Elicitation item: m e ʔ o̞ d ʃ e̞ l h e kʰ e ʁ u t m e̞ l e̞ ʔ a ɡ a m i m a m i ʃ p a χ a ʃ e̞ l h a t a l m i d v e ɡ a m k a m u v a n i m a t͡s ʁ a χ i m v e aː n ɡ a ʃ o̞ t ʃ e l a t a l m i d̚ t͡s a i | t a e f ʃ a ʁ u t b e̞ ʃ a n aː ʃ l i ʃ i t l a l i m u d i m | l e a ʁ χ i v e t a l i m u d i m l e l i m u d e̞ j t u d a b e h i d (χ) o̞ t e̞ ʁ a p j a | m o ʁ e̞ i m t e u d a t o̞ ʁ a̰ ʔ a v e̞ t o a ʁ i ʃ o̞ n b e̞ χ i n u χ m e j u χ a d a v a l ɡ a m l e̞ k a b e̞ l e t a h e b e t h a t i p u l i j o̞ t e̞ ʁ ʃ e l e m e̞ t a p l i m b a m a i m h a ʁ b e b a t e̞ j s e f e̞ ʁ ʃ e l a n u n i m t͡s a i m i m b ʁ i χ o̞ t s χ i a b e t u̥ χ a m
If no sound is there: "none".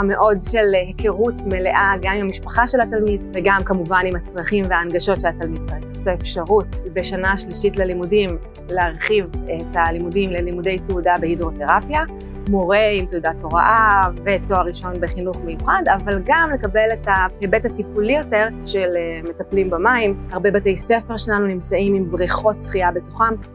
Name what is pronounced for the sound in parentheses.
ʁ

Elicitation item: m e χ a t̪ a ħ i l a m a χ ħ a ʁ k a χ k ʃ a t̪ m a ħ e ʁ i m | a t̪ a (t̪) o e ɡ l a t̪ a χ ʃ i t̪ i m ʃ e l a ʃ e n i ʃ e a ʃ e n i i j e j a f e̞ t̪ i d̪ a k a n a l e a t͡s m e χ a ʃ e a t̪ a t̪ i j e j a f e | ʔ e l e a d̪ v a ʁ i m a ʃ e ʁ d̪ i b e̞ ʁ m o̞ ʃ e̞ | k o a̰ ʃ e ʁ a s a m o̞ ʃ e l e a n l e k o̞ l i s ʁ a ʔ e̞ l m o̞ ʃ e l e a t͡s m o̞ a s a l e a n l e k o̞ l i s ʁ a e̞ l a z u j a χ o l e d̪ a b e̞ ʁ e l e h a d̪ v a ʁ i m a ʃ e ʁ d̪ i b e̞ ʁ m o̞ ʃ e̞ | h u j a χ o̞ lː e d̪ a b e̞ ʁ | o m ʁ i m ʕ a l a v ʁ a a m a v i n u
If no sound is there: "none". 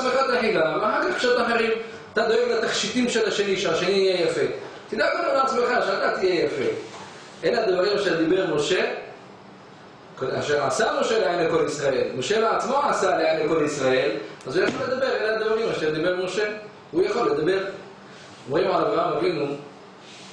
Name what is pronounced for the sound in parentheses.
d̪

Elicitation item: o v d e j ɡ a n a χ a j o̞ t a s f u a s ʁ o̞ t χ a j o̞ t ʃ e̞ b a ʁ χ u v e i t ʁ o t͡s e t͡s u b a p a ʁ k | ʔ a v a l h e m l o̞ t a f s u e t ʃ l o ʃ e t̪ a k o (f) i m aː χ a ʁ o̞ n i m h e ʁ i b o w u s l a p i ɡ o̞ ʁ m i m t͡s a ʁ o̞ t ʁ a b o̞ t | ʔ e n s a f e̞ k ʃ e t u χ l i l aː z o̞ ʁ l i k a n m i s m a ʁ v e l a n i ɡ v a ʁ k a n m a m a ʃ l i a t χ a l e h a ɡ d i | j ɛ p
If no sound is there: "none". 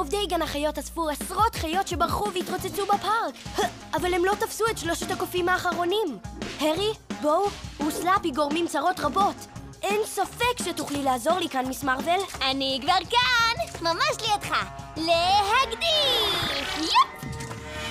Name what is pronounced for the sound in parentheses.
f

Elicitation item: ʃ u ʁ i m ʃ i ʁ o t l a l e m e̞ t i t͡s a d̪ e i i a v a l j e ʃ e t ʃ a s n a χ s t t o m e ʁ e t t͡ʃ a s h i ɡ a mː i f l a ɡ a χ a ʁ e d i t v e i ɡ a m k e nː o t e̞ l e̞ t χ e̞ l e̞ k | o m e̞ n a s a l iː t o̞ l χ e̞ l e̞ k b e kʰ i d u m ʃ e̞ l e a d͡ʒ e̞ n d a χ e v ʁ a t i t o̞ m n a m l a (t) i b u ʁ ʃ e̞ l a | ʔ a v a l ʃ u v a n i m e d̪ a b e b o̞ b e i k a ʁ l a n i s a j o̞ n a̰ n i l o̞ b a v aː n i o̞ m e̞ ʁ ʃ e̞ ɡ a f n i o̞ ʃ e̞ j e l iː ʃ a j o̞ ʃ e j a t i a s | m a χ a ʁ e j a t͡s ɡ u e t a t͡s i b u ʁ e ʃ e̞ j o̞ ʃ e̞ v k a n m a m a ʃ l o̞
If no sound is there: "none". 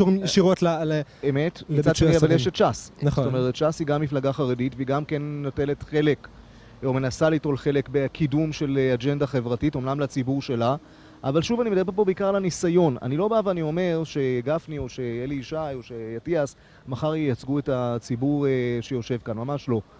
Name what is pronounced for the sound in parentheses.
t͡s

